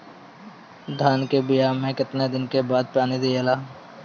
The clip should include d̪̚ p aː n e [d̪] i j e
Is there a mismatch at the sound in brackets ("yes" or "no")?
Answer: no